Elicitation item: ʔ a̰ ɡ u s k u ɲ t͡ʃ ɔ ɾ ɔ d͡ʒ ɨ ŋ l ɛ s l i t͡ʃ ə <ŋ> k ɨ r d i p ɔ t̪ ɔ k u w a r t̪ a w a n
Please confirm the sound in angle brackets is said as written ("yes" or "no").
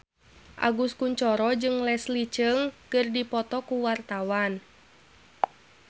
yes